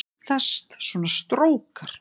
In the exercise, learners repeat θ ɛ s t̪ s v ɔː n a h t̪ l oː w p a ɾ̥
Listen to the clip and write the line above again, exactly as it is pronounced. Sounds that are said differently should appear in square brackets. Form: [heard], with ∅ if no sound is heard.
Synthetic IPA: θ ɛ s t̪ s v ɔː n a [s] t̪ [ɾ] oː w [k] a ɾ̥